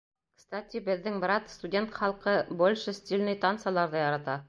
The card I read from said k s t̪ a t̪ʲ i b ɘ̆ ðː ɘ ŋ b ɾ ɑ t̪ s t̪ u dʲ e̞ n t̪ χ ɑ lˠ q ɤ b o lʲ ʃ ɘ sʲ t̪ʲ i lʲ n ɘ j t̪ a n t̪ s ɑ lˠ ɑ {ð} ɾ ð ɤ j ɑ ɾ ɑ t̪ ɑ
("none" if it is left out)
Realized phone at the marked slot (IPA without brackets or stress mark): none